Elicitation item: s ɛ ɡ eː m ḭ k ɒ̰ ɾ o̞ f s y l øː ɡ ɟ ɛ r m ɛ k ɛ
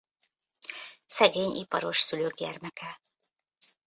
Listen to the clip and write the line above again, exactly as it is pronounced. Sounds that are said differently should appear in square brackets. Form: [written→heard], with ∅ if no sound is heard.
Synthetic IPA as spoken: s ɛ ɡ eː [m→ɲ] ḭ [k→p] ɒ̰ ɾ o̞ [f→ʃ] s y l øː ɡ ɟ ɛ r m ɛ k ɛ